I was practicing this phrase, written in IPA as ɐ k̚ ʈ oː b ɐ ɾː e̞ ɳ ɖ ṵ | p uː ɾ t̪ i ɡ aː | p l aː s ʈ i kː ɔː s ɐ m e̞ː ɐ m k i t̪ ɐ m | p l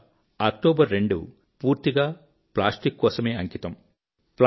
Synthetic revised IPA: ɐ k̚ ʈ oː b ɐ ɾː e̞ ɳ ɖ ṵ | p uː ɾ t̪ i ɡ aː | p l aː s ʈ i kː ɔː s ɐ m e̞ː ɐ ŋ k i t̪ ɐ m | p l

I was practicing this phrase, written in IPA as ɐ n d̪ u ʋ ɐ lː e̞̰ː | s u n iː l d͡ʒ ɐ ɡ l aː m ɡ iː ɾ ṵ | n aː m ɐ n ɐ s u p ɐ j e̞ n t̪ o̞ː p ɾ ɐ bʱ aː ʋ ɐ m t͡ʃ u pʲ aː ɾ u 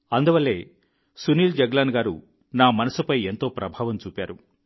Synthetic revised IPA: ɐ n d̪ u ʋ ɐ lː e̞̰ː | s u n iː l d͡ʒ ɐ ɡ l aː n ɡ aː ɾ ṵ | n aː m ɐ n ɐ s u p ɐ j e̞ n t̪ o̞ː p ɾ ɐ bʱ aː ʋ ɐ m t͡ʃ uː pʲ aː ɾ u

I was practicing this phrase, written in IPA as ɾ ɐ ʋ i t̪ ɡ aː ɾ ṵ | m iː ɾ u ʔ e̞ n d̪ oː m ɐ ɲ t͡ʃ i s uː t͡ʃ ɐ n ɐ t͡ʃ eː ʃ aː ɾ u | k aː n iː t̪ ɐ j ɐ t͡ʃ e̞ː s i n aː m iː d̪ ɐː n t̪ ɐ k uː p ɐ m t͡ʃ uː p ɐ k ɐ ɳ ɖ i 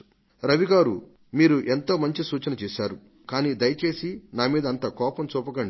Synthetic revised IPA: ɾ ɐ ʋ i ɡ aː ɾ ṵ | m iː ɾ u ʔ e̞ n t̪ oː m ɐ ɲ t͡ʃ i s uː t͡ʃ ɐ n ɐ t͡ʃ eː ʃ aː ɾ u | k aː n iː d̪ ɐ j ɐ t͡ʃ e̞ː s i n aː m iː d̪ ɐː n t̪ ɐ k ɔː p ɐ m t͡ʃ uː p ɐ k ɐ ɳ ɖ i

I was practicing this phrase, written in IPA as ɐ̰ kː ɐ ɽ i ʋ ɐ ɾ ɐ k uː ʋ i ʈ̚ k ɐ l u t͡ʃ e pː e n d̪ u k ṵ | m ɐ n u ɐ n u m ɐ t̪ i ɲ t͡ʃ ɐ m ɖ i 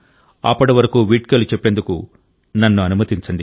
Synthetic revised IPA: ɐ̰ pː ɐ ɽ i ʋ ɐ ɾ ɐ k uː ʋ i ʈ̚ k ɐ l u t͡ʃ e pː e n d̪ u k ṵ | n ɐ nː u ɐ n u m ɐ t̪ i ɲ t͡ʃ ɐ ɳ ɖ i

